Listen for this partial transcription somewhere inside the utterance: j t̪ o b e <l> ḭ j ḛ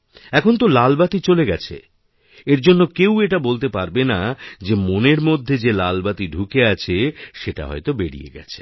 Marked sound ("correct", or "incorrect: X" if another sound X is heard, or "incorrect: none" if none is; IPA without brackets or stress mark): incorrect: ɽ